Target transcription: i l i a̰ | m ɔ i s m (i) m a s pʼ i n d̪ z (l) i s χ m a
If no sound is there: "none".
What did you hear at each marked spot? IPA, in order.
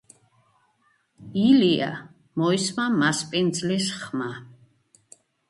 a, l

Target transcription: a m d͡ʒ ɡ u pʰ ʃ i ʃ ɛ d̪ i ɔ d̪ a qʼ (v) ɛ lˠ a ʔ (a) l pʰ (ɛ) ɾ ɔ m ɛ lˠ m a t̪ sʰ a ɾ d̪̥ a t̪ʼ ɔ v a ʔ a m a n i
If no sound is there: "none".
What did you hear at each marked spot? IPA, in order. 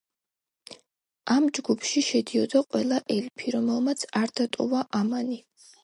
w, ɛ, i

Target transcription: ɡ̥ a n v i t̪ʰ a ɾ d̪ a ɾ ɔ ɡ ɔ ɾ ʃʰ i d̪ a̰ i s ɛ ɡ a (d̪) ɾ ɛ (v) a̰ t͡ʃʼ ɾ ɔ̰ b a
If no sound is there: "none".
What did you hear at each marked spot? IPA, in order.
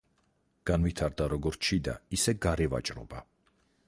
none, v

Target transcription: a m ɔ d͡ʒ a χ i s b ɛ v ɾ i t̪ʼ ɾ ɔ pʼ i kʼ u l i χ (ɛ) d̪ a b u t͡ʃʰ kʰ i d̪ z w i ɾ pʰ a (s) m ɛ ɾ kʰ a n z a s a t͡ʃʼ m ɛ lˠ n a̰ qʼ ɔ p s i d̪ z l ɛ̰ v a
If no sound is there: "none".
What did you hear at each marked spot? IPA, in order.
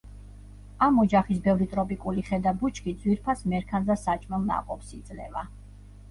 ɛ, s

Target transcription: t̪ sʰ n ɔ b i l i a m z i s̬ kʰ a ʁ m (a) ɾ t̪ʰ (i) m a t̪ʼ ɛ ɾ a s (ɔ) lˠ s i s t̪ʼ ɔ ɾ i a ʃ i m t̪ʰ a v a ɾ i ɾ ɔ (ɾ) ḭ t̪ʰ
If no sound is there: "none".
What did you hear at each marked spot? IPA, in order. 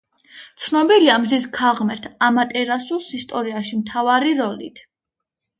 ɛ, a, u, l

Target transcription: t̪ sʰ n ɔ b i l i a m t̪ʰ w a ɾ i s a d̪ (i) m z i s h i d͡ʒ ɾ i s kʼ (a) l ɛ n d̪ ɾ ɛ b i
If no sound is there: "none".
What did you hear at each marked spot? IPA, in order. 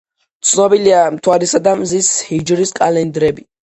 a, a

